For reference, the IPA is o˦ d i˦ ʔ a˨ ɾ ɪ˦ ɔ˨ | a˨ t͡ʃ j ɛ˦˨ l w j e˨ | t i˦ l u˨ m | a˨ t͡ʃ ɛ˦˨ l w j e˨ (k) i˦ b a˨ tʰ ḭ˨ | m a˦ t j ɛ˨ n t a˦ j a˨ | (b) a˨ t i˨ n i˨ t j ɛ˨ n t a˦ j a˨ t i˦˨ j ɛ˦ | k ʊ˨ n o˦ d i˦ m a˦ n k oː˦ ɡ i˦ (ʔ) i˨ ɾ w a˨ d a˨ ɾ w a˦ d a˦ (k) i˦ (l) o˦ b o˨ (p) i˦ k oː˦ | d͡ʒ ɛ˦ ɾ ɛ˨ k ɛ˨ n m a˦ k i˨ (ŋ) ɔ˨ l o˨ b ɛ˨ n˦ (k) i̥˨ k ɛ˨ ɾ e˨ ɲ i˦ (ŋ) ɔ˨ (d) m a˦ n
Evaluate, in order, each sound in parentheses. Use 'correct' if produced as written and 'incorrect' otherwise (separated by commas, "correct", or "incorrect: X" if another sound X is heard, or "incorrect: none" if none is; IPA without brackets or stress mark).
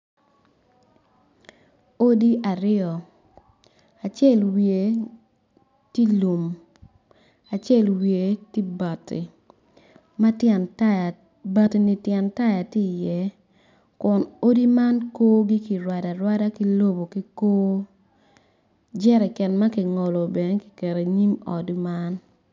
incorrect: t, correct, incorrect: k, correct, correct, incorrect: k, correct, correct, incorrect: m, correct